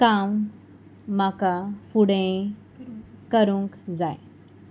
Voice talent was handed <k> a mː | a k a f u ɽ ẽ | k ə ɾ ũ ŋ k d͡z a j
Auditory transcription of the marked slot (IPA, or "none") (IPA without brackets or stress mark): k